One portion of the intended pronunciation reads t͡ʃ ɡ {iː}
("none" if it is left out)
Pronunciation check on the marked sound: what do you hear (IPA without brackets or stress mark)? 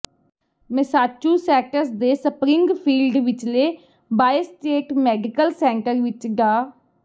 aː